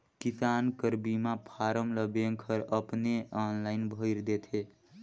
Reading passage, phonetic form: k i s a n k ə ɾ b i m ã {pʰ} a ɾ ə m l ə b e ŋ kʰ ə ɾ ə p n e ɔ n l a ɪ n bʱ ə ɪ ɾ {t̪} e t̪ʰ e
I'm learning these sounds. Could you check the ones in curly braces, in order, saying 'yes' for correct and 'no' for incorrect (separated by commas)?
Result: yes, no